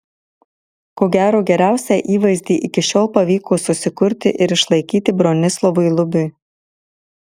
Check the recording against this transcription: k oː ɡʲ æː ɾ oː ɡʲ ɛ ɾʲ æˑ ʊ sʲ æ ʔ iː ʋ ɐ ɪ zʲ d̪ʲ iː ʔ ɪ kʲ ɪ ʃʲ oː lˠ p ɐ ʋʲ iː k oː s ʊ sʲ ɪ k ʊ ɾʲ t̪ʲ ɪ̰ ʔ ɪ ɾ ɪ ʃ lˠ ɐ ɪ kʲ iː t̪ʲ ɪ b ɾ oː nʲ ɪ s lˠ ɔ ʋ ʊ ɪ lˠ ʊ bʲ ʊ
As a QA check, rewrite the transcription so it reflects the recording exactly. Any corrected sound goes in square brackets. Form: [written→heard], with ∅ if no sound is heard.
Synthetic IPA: k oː ɡʲ æː ɾ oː ɡʲ ɛ ɾʲ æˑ ʊ sʲ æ ʔ iː ʋ ɐ ɪ zʲ d̪ʲ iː ʔ ɪ kʲ ɪ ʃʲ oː lˠ p ɐ ʋʲ iː k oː s ʊ sʲ ɪ k ʊ ɾʲ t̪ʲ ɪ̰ ʔ ɪ ɾ ɪ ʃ lˠ ɐ ɪ kʲ iː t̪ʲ ɪ b ɾ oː nʲ ɪ s lˠ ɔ ʋ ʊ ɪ lˠ ʊ bʲ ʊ

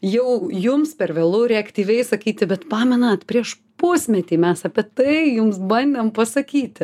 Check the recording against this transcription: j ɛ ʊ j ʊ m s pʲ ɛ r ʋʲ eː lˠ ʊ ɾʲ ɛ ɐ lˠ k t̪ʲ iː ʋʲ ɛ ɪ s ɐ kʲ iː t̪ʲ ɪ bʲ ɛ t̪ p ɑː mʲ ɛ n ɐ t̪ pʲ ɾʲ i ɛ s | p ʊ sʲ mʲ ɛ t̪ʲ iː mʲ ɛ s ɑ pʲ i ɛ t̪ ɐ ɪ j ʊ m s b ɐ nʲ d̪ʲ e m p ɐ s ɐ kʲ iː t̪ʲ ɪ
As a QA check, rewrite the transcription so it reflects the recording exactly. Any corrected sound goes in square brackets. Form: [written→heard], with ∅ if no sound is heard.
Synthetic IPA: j ɛ ʊ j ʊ m s pʲ ɛ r ʋʲ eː lˠ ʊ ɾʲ ɛ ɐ [lˠ→∅] k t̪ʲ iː ʋʲ ɛ ɪ s ɐ kʲ iː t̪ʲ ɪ bʲ ɛ t̪ p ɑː mʲ ɛ n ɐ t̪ pʲ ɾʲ i ɛ [s→ʃ] | p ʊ sʲ mʲ ɛ t̪ʲ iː mʲ ɛ s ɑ pʲ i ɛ t̪ ɐ ɪ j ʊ m s b ɐ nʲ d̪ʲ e m p ɐ s ɐ kʲ iː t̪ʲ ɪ

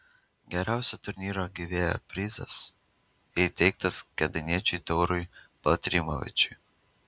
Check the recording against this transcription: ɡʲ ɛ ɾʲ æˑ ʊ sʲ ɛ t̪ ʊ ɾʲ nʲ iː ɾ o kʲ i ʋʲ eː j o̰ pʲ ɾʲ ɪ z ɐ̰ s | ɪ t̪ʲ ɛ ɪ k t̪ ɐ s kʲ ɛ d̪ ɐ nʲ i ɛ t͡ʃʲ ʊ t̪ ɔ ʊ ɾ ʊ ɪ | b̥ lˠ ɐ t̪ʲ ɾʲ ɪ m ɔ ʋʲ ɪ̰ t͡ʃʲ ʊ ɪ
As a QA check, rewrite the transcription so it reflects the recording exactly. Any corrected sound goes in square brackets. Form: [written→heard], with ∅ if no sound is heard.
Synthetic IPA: ɡʲ ɛ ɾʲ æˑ ʊ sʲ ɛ t̪ ʊ ɾʲ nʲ iː ɾ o [kʲ→ɡʲ] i ʋʲ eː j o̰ pʲ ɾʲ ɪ z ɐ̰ s | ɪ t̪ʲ ɛ ɪ k t̪ ɐ s kʲ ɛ d̪ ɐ nʲ i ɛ t͡ʃʲ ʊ t̪ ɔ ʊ ɾ ʊ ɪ | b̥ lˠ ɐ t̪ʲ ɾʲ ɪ m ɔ ʋʲ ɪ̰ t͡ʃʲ ʊ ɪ

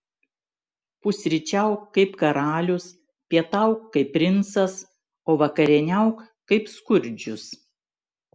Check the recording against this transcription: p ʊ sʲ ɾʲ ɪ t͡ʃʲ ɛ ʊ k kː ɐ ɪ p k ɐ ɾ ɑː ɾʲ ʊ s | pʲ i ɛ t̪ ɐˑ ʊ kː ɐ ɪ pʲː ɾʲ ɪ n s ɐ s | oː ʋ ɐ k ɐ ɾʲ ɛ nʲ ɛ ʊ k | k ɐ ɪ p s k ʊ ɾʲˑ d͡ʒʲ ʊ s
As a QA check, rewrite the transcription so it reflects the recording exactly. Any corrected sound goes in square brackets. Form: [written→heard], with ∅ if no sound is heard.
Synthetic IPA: p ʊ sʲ ɾʲ ɪ t͡ʃʲ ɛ ʊ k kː ɐ ɪ p k ɐ ɾ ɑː [ɾʲ→lʲ] ʊ s | pʲ i ɛ t̪ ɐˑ ʊ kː ɐ ɪ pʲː ɾʲ ɪ n s ɐ s | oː ʋ ɐ k ɐ ɾʲ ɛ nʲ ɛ ʊ k | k ɐ ɪ p s k ʊ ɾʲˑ d͡ʒʲ ʊ s

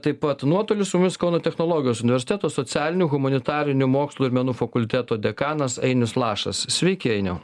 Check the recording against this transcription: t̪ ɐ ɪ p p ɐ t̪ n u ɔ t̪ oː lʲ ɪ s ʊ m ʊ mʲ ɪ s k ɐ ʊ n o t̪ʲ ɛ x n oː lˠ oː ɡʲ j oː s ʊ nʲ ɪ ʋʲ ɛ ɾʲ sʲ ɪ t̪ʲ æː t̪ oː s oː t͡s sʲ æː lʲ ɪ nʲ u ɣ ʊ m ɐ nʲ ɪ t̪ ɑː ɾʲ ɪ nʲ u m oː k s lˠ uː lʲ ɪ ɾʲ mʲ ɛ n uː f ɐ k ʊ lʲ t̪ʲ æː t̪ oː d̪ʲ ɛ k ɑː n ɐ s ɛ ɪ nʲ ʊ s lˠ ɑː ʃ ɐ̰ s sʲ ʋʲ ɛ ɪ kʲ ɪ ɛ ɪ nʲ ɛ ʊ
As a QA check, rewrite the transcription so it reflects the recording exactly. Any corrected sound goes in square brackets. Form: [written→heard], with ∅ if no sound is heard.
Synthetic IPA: t̪ ɐ ɪ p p ɐ t̪ n u ɔ t̪ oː lʲ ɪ s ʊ m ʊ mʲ ɪ s k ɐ ʊ n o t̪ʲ ɛ x n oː lˠ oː ɡʲ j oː s ʊ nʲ ɪ ʋʲ ɛ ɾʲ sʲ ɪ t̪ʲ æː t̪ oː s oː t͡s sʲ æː lʲ ɪ nʲ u ɣ ʊ m ɐ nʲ ɪ t̪ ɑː ɾʲ ɪ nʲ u m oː k s lˠ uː [lʲ→∅] ɪ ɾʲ mʲ ɛ n uː f ɐ k ʊ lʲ t̪ʲ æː t̪ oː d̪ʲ ɛ k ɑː n ɐ s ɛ ɪ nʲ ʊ s lˠ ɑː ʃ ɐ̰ s sʲ ʋʲ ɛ ɪ kʲ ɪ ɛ ɪ nʲ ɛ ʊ

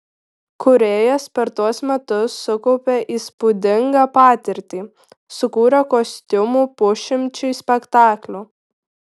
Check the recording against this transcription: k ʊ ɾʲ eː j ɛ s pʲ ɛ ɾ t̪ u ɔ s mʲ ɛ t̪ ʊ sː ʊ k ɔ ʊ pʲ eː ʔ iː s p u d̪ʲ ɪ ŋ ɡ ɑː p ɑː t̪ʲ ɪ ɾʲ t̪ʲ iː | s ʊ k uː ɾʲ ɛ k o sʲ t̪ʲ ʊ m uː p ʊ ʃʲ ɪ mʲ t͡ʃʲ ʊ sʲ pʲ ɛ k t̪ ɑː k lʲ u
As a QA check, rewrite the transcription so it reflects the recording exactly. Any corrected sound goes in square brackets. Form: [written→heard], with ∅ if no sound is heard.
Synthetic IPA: k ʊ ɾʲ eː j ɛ s pʲ ɛ ɾ t̪ u ɔ s mʲ ɛ t̪ ʊ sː ʊ k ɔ ʊ pʲ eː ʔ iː s p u d̪ʲ ɪ ŋ ɡ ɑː p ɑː t̪ʲ ɪ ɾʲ t̪ʲ iː | s ʊ k uː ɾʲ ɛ k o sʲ t̪ʲ ʊ m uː p ʊ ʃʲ ɪ mʲ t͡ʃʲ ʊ sʲ pʲ ɛ k t̪ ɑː k lʲ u

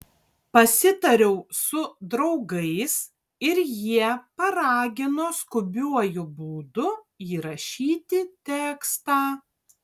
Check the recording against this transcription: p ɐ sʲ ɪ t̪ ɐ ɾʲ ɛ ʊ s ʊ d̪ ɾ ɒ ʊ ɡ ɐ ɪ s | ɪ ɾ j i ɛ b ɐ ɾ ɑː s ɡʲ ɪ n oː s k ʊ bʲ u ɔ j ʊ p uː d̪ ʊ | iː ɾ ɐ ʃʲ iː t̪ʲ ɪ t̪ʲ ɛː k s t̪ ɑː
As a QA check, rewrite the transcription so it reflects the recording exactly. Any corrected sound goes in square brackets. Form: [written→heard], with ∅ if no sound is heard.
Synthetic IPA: p ɐ sʲ ɪ t̪ ɐ ɾʲ ɛ ʊ s ʊ d̪ ɾ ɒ ʊ ɡ ɐ ɪ s | ɪ ɾ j i ɛ [b→p] ɐ ɾ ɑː [s→∅] ɡʲ ɪ n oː s k ʊ bʲ u ɔ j ʊ [p→b] uː d̪ ʊ | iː ɾ ɐ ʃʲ iː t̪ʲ ɪ t̪ʲ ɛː k s t̪ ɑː

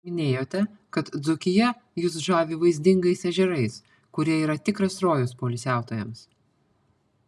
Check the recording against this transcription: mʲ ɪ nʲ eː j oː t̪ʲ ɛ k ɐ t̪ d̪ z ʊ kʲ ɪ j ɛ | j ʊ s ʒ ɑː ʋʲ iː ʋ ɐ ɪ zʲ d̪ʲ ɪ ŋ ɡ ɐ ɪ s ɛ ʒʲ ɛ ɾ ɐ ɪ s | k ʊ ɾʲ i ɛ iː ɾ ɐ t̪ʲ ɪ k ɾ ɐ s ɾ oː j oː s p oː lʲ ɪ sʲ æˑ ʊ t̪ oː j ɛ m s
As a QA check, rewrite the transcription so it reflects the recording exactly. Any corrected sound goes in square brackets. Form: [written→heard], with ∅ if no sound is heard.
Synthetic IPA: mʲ ɪ nʲ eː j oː t̪ʲ ɛ k ɐ t̪ d̪ z ʊ kʲ ɪ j ɛ | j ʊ s ʒ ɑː ʋʲ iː ʋ ɐ ɪ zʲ d̪ʲ ɪ ŋ ɡ ɐ ɪ s ɛ ʒʲ ɛ ɾ ɐ ɪ s | k ʊ ɾʲ i ɛ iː ɾ ɐ t̪ʲ ɪ k ɾ ɐ s ɾ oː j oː s p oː lʲ ɪ sʲ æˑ ʊ t̪ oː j ɛ m s

